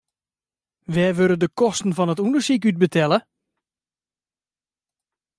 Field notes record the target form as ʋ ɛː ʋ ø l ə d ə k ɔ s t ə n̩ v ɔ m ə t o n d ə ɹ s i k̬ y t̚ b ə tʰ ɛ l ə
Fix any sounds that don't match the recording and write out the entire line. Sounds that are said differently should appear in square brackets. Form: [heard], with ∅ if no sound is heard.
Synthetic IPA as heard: ʋ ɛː ʋ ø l ə d ə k ɔ s t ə n̩ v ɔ [n] ə t [u] n d ə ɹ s i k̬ y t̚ b ə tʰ ɛ l ə